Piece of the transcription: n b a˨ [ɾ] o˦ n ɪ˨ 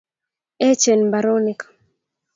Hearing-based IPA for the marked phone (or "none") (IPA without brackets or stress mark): ɾ